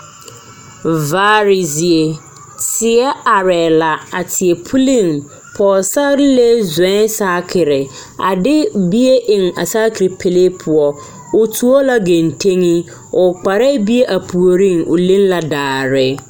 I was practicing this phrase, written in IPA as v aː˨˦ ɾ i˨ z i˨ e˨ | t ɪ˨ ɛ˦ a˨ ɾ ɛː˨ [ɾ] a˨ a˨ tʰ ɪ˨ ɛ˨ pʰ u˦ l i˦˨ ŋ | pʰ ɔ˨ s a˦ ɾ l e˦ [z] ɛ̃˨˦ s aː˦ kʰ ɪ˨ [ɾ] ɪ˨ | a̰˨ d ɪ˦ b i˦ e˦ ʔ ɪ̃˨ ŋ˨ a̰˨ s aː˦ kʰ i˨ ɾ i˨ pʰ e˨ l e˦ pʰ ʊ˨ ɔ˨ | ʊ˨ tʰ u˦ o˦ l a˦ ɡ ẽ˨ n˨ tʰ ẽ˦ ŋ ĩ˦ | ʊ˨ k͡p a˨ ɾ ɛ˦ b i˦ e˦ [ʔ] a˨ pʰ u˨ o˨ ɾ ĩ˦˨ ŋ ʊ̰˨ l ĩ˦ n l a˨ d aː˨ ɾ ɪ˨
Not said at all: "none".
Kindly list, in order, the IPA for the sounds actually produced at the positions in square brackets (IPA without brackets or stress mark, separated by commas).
l, z, ɾ, ʔ